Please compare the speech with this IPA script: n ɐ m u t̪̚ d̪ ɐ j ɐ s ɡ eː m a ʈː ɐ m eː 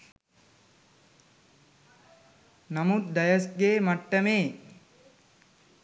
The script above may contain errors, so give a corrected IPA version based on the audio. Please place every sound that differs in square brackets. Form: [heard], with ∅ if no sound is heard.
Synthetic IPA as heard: n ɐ m u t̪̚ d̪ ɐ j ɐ s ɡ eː m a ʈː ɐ m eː

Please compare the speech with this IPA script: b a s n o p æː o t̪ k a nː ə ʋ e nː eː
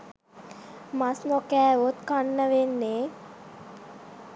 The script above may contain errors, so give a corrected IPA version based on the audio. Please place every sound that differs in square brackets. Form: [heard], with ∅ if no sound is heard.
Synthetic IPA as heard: [m] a s n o [k] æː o t̪ k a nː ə ʋ e nː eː

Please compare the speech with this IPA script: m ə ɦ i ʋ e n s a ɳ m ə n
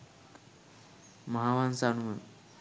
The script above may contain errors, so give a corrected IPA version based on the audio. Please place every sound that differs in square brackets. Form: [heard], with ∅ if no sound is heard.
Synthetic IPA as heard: m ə ɦ [a] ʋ [a] n s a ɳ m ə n

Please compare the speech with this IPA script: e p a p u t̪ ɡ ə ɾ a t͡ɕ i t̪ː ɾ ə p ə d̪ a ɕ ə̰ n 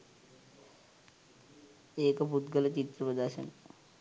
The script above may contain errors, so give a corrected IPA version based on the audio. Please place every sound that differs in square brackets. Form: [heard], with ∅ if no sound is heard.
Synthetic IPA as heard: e [k] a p u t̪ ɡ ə [l] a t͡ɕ i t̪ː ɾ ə p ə d̪ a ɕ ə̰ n

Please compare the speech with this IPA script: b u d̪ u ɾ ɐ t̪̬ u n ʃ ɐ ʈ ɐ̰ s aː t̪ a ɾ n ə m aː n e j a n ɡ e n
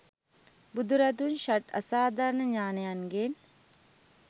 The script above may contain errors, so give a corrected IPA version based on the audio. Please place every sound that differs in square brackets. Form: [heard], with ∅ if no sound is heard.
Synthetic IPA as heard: b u d̪ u ɾ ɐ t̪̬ u n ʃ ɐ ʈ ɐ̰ s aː [d̪] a ɾ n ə [ɲ] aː n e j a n ɡ e n

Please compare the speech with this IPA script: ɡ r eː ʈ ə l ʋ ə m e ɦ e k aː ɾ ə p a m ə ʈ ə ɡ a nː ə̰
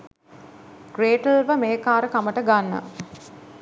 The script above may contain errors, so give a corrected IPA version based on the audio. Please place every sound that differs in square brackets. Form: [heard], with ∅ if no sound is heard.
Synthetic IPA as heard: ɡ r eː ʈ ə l ʋ ə m e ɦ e k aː ɾ ə [k] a m ə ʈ ə ɡ a nː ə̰

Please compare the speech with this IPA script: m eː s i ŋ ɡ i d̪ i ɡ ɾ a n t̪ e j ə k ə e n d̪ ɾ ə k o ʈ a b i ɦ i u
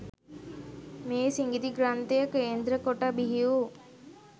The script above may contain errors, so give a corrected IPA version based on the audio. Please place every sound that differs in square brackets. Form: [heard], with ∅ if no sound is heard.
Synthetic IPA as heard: m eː s i ŋ ɡ i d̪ i ɡ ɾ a n t̪ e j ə k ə e n d̪ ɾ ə k o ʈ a b i ɦ i u

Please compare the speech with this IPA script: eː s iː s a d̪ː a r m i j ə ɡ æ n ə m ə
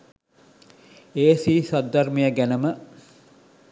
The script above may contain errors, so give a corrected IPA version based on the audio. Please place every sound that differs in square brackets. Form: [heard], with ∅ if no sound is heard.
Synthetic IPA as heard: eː s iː s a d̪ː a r m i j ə ɡ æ n ə m ə

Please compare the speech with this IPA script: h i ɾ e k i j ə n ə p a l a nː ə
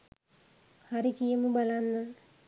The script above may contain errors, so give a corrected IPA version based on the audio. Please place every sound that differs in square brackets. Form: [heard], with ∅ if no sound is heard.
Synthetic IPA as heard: h [a] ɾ [i] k i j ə [m] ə [b] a l a nː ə

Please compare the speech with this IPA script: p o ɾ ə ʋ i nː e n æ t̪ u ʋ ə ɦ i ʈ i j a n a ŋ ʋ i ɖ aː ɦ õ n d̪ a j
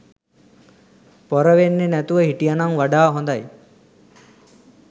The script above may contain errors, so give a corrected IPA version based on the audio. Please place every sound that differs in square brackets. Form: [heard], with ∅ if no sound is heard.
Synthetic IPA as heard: p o ɾ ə ʋ [e] nː e n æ t̪ u ʋ ə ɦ i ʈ i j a n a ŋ ʋ [a] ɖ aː ɦ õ n d̪ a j

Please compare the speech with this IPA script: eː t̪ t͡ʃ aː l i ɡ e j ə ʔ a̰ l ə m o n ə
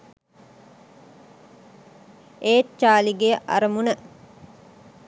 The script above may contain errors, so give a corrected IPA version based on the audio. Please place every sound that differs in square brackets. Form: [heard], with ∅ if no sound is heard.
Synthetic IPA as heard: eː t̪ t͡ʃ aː l i ɡ e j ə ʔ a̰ [ɾ] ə m [u] n ə

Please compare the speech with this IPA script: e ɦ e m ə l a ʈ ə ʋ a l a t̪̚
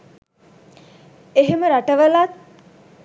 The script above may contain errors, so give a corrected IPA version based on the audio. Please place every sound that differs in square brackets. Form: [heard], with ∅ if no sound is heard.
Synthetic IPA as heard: e ɦ e m ə [ɾ] a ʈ ə ʋ [ə] l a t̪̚

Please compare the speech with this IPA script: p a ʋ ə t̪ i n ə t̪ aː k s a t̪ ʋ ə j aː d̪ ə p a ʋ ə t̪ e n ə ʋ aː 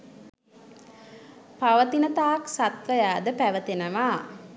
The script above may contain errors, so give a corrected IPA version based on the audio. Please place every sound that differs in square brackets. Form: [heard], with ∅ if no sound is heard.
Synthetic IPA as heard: p a ʋ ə t̪ i n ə t̪ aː k s a t̪ ʋ ə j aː d̪ ə p [æ] ʋ ə t̪ e n ə ʋ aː

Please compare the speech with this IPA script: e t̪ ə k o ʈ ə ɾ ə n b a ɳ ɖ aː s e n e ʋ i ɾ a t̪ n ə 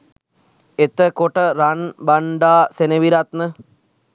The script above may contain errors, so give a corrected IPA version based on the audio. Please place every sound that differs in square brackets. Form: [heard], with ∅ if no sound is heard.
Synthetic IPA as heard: e t̪ ə k o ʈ ə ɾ [a] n b a ɳ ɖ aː s e n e ʋ i ɾ a t̪ n ə

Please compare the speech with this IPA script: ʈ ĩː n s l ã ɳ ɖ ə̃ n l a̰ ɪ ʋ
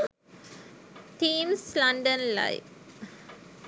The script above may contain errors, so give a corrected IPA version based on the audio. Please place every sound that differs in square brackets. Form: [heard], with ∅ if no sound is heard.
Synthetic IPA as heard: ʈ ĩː [m] s l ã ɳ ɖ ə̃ n l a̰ ɪ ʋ

